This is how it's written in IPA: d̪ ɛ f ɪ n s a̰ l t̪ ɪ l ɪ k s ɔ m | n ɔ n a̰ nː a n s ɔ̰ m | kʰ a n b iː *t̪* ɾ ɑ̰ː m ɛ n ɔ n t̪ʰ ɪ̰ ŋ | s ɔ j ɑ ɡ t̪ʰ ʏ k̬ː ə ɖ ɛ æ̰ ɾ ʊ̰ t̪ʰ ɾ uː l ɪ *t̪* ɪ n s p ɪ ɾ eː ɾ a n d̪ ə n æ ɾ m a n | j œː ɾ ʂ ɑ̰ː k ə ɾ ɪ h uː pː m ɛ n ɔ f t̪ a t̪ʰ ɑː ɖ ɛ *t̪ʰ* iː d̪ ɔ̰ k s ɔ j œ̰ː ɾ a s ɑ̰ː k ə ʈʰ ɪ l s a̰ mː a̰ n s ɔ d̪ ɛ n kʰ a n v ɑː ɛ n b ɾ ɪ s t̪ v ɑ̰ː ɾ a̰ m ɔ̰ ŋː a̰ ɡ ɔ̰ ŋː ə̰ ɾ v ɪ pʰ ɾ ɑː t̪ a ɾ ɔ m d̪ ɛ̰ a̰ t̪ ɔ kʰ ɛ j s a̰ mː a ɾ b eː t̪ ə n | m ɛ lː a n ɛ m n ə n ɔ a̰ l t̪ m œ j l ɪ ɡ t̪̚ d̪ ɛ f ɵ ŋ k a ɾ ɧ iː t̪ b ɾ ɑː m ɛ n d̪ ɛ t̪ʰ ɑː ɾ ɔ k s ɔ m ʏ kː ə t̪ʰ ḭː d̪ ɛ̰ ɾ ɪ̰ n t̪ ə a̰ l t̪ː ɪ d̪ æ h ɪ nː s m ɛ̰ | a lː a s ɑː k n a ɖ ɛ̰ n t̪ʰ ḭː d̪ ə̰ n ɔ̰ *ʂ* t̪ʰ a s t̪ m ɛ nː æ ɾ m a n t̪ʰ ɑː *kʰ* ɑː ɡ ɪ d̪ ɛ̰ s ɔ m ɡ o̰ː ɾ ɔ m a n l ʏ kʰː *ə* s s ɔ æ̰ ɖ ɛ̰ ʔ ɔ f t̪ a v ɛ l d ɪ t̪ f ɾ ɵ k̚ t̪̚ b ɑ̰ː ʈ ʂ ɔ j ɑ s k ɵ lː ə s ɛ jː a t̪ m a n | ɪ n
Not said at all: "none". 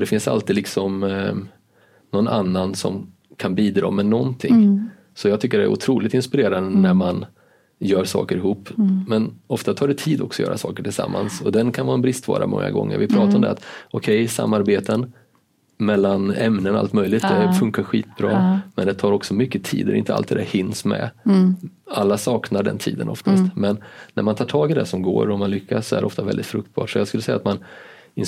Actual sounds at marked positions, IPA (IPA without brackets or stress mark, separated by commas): d̪, t̪, t̪ʰ, f, ʈʰ, a